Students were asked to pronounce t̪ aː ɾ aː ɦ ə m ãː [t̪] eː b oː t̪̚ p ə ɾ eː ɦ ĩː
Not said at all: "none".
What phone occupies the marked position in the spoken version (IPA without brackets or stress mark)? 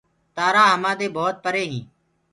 d̪